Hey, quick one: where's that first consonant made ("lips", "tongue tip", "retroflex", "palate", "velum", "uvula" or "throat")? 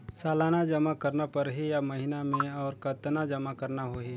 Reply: tongue tip